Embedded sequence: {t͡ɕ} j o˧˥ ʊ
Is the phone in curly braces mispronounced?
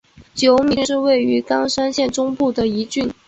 no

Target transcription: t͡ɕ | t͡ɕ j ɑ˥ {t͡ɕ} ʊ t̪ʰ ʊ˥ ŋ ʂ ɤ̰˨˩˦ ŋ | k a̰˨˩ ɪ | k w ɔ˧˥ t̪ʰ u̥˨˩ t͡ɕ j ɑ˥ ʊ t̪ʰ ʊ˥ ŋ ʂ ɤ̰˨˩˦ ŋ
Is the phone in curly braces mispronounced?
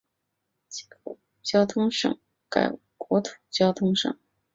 yes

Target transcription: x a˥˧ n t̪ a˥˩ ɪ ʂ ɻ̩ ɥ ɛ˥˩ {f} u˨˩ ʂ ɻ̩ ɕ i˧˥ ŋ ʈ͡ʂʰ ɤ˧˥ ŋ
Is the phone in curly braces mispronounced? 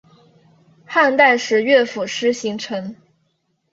no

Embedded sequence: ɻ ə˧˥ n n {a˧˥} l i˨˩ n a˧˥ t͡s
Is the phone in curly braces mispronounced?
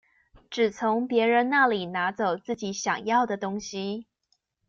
yes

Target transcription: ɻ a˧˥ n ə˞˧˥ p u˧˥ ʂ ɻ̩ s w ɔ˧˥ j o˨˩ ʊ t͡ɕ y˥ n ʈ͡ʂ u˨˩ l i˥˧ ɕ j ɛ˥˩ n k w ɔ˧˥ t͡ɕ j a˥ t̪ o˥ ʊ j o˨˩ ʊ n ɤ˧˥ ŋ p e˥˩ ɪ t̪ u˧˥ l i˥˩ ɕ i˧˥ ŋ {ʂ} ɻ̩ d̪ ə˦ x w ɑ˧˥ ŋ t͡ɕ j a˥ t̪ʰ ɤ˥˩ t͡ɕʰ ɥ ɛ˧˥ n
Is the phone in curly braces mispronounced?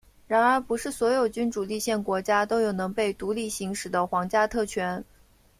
no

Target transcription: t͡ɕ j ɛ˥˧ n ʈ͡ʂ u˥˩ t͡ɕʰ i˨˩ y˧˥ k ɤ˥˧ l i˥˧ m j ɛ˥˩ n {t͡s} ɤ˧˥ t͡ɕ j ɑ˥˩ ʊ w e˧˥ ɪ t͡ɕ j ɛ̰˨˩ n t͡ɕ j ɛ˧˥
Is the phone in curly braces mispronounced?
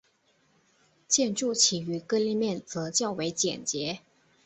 no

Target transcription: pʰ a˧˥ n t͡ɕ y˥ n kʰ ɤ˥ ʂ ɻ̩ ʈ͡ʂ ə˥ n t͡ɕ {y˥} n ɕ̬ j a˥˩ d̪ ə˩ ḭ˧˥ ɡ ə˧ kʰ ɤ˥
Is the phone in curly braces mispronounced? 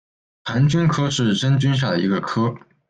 no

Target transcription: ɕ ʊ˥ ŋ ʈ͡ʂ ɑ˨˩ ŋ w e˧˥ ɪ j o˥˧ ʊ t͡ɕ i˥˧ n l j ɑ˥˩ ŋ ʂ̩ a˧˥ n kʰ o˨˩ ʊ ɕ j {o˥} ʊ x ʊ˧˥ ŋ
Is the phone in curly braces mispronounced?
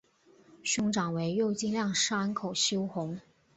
no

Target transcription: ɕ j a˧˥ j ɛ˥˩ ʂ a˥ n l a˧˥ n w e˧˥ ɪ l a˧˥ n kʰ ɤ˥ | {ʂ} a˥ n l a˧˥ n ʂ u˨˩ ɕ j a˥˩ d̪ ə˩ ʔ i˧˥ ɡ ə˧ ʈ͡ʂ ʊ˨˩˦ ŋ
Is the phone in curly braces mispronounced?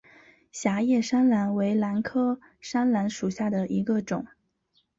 no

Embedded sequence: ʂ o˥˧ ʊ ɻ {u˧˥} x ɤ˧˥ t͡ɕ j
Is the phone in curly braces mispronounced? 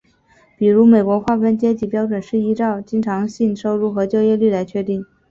yes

